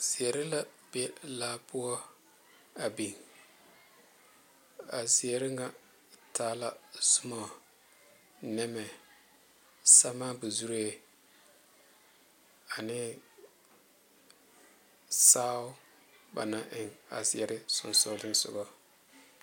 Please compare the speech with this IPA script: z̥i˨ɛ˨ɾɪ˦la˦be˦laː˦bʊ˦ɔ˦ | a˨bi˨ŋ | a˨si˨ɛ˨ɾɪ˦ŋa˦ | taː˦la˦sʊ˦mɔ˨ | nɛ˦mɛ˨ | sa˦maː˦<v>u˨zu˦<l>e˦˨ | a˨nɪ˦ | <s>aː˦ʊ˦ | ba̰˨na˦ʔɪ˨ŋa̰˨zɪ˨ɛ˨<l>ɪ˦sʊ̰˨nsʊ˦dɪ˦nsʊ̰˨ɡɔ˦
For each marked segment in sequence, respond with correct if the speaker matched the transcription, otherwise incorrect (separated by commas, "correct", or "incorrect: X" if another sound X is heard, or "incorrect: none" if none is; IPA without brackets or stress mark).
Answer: incorrect: b, incorrect: ɾ, correct, incorrect: ɾ